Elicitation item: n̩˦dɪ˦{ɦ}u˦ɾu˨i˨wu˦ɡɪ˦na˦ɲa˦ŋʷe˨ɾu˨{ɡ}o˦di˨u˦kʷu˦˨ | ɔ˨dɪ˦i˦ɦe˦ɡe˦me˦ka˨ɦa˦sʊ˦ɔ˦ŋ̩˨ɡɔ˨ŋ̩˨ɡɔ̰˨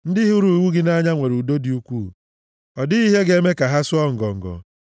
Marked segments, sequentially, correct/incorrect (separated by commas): correct, incorrect